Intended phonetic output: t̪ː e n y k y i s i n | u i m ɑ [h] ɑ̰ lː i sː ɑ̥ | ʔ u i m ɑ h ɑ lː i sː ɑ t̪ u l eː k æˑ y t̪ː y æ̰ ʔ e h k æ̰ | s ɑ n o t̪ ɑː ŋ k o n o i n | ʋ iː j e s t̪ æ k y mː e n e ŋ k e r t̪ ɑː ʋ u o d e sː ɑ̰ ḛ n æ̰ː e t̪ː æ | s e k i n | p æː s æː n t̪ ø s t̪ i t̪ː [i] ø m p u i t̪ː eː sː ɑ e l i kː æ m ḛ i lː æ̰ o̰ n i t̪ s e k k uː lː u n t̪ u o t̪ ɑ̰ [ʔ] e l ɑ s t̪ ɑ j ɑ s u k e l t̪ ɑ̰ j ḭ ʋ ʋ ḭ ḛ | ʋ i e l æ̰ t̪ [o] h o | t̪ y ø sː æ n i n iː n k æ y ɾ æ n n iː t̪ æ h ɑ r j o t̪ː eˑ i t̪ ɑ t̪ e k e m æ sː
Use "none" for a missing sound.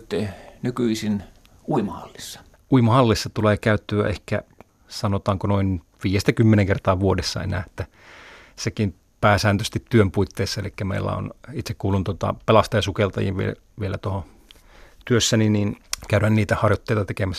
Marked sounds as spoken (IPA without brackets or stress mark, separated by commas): h, y, p, o